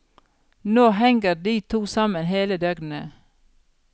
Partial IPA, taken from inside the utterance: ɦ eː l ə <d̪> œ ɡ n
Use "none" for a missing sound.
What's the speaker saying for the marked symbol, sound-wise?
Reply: d̪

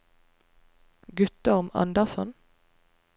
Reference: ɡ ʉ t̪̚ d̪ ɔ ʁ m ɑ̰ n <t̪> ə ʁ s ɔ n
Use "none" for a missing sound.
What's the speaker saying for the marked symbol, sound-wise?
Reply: d̪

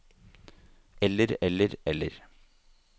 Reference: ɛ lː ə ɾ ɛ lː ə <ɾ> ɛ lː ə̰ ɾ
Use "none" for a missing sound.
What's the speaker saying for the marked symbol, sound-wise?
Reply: ɾ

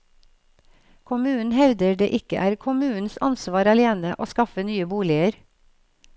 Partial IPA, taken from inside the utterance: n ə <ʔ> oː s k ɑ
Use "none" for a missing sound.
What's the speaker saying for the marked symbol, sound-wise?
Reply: ʔ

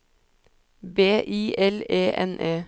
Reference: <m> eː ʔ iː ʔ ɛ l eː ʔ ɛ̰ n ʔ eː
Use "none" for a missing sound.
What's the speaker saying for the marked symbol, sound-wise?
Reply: b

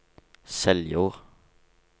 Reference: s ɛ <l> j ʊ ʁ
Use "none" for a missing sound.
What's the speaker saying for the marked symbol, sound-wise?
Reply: l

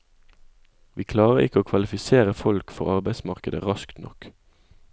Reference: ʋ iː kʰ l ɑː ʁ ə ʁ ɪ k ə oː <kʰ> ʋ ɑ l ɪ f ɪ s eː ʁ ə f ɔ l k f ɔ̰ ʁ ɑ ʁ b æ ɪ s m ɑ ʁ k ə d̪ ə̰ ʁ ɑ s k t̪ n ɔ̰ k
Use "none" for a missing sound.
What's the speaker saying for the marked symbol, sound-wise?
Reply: kʰ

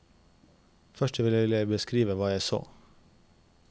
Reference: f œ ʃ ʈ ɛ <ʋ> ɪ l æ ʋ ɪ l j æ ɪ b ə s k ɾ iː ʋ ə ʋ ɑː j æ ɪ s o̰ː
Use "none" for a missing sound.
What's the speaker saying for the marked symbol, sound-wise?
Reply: ʋ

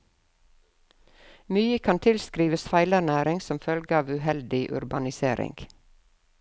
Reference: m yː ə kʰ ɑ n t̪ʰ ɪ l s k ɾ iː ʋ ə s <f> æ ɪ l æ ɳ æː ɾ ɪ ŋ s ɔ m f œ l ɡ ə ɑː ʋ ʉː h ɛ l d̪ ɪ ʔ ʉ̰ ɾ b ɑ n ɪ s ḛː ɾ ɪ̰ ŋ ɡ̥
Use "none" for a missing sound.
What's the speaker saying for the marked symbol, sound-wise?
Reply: f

